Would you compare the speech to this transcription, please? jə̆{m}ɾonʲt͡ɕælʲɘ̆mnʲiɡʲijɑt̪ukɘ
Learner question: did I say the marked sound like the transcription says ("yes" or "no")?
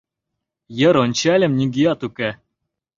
no